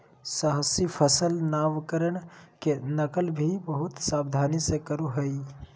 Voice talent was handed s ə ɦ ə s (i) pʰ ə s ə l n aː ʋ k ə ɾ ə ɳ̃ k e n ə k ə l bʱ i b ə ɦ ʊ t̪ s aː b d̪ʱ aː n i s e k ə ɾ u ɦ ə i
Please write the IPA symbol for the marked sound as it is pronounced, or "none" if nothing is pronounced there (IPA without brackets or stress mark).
i